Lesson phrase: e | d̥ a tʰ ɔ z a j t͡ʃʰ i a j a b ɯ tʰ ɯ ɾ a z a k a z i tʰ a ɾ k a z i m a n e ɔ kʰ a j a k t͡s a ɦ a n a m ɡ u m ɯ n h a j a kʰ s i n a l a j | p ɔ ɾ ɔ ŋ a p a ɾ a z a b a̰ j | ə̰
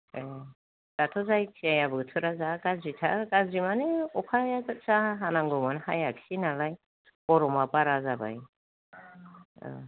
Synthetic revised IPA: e | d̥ a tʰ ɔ z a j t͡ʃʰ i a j a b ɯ tʰ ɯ ɾ a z a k a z i tʰ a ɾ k a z i m a n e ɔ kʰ a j a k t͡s a ɦ a n a ŋ ɡ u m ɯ n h a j a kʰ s i n a l a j | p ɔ ɾ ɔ m a p a ɾ a z a b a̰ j | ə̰